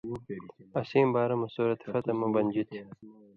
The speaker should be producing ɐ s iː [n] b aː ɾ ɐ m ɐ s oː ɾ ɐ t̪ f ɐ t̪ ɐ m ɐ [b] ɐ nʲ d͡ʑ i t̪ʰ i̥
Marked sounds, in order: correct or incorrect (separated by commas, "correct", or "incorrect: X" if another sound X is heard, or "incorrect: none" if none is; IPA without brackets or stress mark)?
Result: incorrect: m, correct